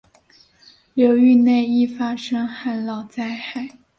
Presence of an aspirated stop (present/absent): absent